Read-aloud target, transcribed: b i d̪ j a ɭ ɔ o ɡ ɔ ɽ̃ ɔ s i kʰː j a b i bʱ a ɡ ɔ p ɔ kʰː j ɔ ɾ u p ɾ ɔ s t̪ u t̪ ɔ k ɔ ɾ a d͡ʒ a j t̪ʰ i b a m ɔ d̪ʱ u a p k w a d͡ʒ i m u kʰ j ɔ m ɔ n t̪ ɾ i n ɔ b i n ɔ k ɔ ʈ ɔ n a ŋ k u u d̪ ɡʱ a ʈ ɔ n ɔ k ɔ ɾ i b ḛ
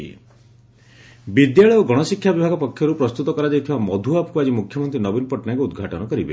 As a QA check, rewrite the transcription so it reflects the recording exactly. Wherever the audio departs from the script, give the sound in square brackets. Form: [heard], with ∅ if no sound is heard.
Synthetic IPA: b i d̪ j a ɭ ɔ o ɡ ɔ ɽ̃ ɔ s i kʰː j a b i bʱ a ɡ ɔ p ɔ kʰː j ɔ ɾ u p ɾ ɔ s t̪ u t̪ ɔ k ɔ ɾ a d͡ʒ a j t̪ʰ i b a m ɔ d̪ʱ u a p k [u] a d͡ʒ i m u kʰ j ɔ m ɔ n t̪ ɾ i n ɔ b i n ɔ [p] ɔ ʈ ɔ n a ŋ k u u d̪ ɡʱ a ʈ ɔ n ɔ k ɔ ɾ i b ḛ